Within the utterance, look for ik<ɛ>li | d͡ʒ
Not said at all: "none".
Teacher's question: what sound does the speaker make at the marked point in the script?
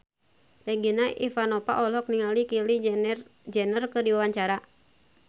i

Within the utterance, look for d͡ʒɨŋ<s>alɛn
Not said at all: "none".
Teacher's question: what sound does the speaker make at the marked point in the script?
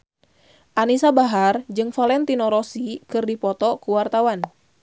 f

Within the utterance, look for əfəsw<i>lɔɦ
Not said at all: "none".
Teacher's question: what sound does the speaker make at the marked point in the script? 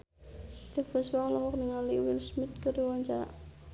a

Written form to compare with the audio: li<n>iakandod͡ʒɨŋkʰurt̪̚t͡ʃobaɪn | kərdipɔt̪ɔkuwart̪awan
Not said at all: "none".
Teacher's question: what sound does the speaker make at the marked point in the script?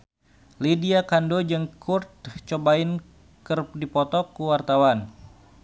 d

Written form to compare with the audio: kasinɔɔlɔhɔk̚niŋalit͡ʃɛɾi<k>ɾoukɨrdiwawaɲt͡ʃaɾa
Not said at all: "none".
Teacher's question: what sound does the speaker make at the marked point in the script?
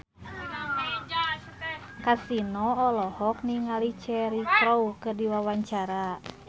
k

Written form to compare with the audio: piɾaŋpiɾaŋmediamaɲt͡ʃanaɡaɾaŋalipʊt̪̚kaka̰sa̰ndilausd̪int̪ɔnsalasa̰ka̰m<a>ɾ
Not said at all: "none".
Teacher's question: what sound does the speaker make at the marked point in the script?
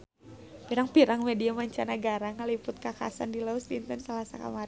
a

